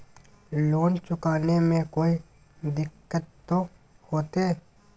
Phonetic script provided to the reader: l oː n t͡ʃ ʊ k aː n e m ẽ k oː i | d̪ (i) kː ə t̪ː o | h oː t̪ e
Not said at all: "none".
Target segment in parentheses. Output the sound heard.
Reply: ɪ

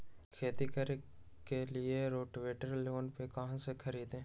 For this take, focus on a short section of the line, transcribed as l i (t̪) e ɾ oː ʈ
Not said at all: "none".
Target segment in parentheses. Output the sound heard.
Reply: none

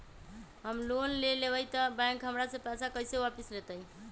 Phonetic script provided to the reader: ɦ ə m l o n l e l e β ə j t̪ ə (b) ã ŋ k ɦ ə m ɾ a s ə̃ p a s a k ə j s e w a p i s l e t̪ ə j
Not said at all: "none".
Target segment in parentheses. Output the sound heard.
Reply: b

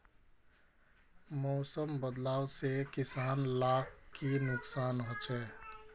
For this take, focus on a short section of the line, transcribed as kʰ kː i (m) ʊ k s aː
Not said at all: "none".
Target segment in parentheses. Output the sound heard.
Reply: n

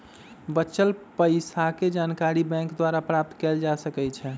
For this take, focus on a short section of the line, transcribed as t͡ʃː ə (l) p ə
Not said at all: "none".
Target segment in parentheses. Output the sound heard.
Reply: l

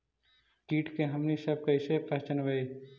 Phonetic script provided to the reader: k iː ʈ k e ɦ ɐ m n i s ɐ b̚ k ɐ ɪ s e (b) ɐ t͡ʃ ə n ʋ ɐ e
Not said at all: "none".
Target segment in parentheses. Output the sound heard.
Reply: p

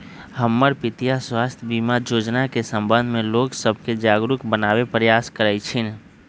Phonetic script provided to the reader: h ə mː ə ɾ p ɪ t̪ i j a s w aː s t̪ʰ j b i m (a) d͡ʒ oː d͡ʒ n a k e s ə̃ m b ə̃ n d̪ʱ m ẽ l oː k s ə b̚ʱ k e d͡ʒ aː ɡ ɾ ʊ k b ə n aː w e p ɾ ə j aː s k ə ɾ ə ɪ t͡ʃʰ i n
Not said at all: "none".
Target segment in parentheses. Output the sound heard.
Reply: a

